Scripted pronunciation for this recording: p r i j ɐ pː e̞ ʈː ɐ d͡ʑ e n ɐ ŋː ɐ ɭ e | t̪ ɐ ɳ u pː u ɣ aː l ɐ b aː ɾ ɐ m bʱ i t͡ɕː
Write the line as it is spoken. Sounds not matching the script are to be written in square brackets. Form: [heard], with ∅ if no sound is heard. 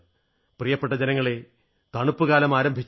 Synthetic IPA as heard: p r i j ɐ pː e̞ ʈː ɐ d͡ʑ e n ɐ ŋː ɐ ɭ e | t̪ ɐ ɳ u pː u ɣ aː l ɐ [m] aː ɾ ɐ m bʱ i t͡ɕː